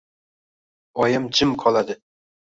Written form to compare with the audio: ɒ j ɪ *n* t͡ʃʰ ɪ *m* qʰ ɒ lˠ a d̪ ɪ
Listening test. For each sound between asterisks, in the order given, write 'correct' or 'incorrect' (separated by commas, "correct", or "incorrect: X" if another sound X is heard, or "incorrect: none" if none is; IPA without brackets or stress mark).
incorrect: m, correct